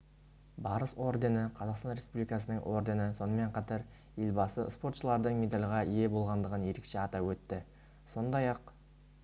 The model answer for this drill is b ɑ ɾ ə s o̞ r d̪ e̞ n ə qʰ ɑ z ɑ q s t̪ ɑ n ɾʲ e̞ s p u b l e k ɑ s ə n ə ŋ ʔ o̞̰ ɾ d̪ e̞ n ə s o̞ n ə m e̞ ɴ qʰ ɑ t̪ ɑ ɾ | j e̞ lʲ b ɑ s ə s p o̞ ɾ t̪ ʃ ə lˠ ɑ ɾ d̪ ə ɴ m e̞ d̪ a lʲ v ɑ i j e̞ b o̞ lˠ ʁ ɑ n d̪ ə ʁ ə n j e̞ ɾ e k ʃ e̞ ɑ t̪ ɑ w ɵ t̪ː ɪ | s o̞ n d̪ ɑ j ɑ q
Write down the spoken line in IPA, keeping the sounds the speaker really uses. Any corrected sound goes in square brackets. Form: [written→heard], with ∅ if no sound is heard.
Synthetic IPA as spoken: b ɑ ɾ ə s o̞ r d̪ e̞ n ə qʰ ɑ z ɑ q s t̪ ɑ n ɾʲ e̞ s p u b l [e→i] k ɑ s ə n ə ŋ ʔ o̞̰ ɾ d̪ e̞ n ə s o̞ n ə m e̞ ɴ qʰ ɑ t̪ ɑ ɾ | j e̞ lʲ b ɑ s ə s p o̞ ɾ t̪ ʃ ə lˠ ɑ ɾ d̪ ə ɴ m e̞ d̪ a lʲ [v→ʁ] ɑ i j e̞ b o̞ lˠ ʁ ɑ n d̪ ə ʁ ə n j e̞ ɾ e k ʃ e̞ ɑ t̪ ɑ w ɵ t̪ː ɪ | s o̞ n d̪ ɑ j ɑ q